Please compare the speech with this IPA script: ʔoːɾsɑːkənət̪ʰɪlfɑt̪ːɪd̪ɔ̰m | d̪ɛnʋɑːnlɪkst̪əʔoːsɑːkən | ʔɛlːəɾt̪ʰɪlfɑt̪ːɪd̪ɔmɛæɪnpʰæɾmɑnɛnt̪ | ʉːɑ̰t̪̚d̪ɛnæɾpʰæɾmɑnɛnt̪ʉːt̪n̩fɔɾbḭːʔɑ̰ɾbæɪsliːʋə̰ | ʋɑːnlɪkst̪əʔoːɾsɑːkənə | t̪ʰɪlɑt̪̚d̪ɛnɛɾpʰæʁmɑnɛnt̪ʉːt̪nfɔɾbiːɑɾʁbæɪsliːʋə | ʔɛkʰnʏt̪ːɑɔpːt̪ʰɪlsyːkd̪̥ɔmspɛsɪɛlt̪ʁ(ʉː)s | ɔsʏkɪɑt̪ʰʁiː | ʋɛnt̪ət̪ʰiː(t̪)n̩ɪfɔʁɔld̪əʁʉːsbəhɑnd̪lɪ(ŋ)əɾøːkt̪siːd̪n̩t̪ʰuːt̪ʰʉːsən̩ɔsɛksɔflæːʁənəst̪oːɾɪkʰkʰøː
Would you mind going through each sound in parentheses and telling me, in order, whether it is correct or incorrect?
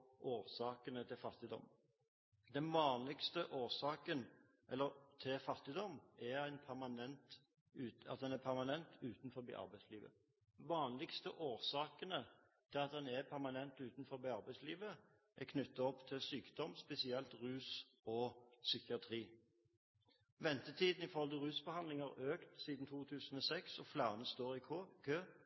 correct, incorrect, correct

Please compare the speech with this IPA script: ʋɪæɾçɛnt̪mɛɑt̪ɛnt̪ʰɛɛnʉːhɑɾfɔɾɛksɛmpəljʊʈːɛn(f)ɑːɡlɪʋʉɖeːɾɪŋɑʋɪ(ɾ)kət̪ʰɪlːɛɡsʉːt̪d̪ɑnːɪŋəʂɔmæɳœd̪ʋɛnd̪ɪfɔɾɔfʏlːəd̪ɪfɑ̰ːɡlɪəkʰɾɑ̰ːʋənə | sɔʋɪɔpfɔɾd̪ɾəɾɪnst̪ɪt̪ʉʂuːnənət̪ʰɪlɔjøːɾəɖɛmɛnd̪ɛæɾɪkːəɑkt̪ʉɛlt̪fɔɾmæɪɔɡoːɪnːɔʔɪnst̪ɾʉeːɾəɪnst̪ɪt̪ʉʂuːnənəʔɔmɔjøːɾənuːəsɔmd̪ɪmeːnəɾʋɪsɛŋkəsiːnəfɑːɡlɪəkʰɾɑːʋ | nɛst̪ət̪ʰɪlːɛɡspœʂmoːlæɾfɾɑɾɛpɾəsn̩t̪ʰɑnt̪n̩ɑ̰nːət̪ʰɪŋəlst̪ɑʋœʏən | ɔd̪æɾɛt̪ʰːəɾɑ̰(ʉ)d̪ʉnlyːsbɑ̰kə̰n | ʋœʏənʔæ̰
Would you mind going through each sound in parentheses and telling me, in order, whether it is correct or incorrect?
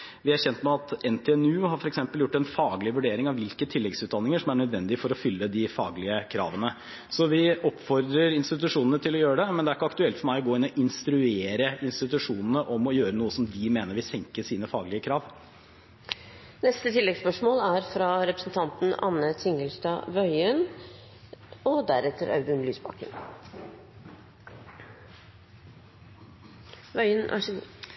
correct, incorrect, correct

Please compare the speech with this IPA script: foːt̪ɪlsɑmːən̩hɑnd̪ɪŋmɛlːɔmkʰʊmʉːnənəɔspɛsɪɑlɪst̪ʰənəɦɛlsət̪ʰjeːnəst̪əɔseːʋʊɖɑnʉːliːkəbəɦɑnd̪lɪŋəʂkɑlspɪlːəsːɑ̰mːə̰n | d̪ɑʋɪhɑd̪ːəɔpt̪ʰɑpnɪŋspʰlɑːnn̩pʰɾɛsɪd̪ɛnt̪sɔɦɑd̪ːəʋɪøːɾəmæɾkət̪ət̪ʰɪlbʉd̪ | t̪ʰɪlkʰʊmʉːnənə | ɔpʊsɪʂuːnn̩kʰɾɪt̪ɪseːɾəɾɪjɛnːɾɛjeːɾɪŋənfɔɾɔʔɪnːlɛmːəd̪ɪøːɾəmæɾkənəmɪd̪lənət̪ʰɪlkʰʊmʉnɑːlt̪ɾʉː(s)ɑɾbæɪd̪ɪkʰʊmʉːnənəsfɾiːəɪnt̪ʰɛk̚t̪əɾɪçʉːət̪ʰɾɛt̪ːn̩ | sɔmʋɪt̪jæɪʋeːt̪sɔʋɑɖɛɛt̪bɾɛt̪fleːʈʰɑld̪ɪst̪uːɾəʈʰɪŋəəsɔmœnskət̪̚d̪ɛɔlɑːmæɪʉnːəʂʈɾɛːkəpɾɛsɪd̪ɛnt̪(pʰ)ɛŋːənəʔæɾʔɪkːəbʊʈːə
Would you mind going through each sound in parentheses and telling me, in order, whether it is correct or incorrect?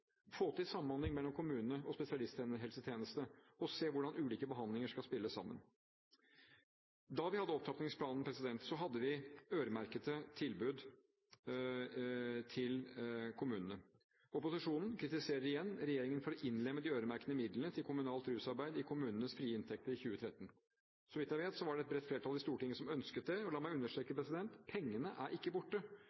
correct, correct

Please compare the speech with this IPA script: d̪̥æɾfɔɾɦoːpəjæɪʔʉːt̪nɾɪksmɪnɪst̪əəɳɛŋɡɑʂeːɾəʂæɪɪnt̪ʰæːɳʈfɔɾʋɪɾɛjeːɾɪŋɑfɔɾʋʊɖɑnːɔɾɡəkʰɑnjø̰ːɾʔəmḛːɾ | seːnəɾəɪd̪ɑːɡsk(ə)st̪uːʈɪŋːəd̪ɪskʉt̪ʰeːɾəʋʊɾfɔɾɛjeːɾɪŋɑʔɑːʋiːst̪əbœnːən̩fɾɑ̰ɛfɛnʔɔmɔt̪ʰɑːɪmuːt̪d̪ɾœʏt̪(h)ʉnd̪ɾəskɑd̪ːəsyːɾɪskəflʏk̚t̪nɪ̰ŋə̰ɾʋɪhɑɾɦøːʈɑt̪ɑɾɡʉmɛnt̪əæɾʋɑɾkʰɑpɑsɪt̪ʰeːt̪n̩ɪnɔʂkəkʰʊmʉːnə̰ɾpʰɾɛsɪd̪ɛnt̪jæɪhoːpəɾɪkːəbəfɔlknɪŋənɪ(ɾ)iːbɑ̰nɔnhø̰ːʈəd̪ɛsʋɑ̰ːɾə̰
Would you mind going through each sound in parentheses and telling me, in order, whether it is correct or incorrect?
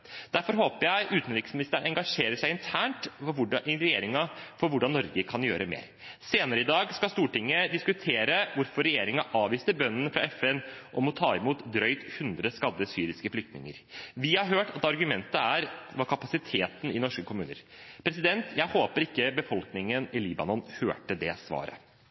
incorrect, correct, incorrect

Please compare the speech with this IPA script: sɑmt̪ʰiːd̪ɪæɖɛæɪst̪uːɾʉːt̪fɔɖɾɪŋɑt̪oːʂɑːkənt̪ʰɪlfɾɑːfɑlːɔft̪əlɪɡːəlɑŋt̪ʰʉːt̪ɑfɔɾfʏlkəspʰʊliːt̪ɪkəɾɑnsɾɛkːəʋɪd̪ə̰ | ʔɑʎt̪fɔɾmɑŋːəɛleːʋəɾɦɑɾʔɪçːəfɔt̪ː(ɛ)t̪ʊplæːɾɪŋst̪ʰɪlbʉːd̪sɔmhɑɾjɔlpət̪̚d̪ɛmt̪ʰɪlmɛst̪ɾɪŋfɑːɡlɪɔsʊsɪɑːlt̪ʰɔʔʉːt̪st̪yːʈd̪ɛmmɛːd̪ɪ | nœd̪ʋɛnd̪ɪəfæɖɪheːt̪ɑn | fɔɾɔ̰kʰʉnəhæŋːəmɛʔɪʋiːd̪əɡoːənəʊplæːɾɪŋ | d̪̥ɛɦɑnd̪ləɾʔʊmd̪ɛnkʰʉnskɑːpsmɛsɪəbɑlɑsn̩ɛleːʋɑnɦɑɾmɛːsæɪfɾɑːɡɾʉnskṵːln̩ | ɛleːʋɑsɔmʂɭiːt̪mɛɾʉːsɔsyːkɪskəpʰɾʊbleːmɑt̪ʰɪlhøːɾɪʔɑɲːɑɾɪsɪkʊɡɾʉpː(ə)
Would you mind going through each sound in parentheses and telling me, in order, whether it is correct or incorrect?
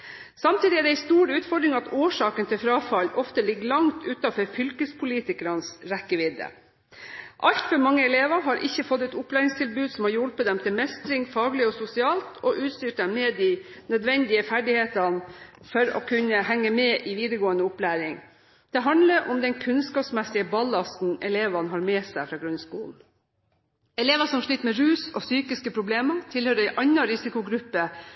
correct, correct

